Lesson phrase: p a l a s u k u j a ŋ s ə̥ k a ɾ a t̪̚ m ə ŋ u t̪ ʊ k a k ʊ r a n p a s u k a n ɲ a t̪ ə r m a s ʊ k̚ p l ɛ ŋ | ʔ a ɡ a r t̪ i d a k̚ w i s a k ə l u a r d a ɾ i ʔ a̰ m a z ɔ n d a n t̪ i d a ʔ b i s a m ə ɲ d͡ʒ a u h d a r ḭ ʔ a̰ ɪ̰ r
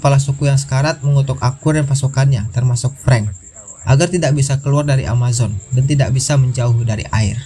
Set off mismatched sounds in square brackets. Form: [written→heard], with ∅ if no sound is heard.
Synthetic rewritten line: p a l a s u k u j a ŋ s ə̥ k a ɾ a t̪̚ m ə ŋ u t̪ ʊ k a k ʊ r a n p a s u k a n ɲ a t̪ ə r m a s ʊ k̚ p [l→ɾ] ɛ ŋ | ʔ a ɡ a r t̪ i d a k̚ [w→b] i s a k ə l u a r d a ɾ i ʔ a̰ m a z ɔ n d a n t̪ i d a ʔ b i s a m ə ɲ d͡ʒ a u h d a [r→ɾ] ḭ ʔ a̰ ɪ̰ r